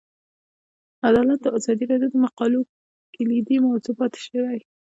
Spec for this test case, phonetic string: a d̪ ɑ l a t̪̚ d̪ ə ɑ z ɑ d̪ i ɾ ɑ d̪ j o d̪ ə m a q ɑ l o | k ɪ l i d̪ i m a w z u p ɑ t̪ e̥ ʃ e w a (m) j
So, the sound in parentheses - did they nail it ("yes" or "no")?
no